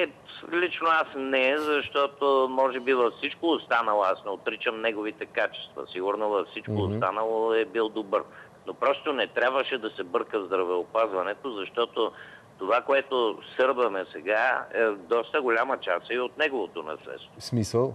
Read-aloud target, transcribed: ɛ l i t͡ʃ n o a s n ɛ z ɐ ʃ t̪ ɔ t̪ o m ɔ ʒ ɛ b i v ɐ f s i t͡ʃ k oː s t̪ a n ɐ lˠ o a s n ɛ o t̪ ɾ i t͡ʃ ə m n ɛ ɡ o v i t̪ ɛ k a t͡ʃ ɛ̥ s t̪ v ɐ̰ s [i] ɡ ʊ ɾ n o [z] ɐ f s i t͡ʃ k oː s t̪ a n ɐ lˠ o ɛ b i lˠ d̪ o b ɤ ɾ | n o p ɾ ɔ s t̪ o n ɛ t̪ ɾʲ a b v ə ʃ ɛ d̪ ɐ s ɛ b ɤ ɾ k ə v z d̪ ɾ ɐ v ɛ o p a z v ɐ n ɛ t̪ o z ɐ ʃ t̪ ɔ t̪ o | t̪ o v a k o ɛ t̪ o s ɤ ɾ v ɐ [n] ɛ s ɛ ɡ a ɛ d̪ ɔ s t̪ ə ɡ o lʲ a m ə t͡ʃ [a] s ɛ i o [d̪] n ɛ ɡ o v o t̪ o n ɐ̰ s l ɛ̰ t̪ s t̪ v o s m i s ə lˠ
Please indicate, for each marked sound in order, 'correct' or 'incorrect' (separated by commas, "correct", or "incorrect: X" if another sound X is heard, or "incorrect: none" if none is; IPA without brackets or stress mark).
correct, incorrect: v, incorrect: m, correct, incorrect: t̪